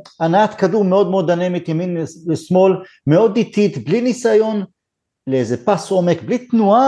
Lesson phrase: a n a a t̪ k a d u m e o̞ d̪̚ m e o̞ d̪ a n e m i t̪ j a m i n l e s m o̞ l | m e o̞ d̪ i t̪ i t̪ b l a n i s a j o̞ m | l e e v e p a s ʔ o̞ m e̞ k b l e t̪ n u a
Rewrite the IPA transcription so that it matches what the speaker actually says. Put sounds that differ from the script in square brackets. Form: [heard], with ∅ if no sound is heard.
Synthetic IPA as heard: a n a a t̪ k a d u m e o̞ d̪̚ m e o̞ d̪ a n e m i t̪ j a m i n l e s m o̞ l | m e o̞ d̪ i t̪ i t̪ b l [i] n i s a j o̞ [n] | l e e [z] e p a s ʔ o̞ m e̞ k b l [i] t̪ n u a